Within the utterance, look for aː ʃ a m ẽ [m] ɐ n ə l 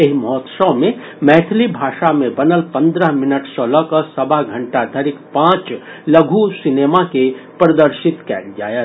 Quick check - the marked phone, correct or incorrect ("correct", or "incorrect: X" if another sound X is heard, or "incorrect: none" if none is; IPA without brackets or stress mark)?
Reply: incorrect: b